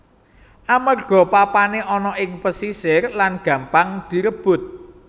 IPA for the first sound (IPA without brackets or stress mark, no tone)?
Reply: ʔ